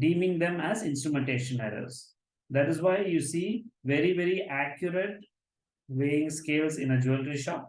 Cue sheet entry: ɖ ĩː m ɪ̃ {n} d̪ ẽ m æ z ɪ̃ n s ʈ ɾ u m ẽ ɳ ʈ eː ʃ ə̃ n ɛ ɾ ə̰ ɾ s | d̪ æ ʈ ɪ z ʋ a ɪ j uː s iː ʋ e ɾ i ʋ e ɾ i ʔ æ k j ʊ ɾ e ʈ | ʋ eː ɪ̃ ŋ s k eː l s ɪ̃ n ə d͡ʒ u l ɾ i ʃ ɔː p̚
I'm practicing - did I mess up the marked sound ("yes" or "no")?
yes